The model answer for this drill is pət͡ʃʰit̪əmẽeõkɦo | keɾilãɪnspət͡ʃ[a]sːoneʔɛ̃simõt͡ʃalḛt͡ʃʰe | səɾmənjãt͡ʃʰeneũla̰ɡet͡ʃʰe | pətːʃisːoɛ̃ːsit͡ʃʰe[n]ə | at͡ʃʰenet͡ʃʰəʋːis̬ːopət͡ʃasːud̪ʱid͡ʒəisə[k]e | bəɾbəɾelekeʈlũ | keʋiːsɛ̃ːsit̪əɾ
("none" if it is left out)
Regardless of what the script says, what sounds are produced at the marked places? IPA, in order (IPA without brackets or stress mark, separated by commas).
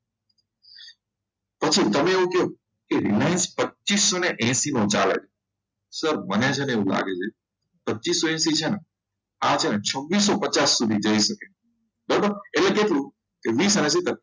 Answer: i, n, k